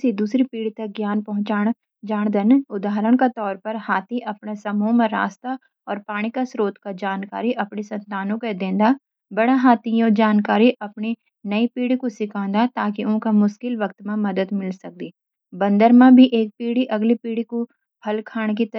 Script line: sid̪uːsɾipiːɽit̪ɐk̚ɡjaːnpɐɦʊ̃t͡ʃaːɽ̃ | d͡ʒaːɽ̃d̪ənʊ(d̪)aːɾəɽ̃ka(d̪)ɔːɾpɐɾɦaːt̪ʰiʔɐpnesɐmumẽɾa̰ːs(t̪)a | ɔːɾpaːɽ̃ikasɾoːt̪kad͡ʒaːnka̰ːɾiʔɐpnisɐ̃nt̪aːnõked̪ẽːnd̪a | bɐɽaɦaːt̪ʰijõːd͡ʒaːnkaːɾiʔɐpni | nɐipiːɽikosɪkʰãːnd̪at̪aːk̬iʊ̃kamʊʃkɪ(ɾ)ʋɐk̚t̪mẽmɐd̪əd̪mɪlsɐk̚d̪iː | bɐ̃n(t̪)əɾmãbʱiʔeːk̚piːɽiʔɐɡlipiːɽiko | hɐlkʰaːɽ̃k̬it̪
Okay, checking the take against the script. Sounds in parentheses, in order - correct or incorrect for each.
correct, incorrect, correct, incorrect, incorrect

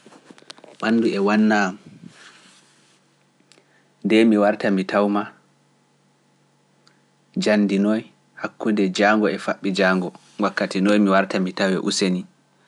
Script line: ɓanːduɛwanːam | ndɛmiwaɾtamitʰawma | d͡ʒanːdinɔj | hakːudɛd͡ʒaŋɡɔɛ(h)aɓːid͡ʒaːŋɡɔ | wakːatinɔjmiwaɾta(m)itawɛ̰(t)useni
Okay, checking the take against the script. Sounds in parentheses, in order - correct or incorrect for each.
incorrect, correct, incorrect

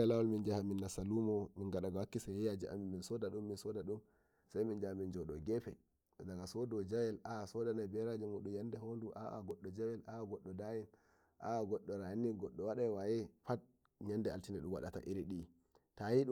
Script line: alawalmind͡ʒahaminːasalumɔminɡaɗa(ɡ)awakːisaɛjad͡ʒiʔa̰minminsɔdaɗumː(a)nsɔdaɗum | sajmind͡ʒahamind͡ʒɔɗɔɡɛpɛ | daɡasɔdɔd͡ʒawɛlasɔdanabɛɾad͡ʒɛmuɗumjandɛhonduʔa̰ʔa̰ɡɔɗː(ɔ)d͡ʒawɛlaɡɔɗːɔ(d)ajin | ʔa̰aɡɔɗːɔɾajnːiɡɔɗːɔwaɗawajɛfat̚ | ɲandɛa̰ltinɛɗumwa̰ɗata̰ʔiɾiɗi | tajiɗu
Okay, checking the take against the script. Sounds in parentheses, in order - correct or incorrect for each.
correct, incorrect, correct, correct

